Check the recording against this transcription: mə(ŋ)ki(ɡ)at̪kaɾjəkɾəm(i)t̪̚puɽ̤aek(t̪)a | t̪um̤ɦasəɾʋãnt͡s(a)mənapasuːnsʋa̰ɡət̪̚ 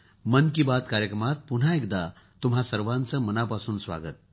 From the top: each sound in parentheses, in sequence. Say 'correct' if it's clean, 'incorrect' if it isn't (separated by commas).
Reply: incorrect, incorrect, incorrect, incorrect, incorrect